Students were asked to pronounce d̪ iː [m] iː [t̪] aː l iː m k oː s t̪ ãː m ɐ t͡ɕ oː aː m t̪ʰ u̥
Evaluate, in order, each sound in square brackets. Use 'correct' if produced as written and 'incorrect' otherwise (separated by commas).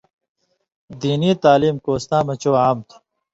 incorrect, correct